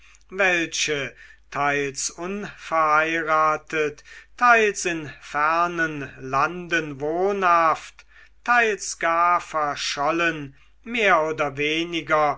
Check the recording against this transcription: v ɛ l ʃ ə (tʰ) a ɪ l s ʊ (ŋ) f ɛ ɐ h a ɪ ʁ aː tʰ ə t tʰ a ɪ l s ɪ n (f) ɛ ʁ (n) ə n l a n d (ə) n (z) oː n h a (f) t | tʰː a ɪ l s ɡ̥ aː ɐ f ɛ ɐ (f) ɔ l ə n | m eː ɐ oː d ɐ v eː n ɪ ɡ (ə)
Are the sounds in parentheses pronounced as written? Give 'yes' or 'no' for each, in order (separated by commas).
yes, no, yes, yes, yes, no, yes, no, no